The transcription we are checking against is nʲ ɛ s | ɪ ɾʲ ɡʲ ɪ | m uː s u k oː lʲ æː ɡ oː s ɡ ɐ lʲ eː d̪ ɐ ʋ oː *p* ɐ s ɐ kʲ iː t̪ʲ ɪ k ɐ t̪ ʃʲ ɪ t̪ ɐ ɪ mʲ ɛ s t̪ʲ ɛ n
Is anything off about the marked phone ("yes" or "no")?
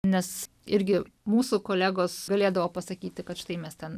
no